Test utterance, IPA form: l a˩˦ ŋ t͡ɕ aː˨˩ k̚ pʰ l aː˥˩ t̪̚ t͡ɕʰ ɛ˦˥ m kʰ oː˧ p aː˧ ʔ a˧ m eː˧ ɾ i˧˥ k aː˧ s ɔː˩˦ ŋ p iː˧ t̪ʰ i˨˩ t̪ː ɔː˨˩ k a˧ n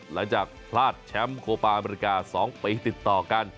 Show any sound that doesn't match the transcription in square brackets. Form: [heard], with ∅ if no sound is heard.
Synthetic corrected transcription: l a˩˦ ŋ t͡ɕ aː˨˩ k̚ pʰ l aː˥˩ t̪̚ t͡ɕʰ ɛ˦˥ m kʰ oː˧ p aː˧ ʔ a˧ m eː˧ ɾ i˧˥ k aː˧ s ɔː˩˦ ŋ p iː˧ [t̪] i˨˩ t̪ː ɔː˨˩ k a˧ n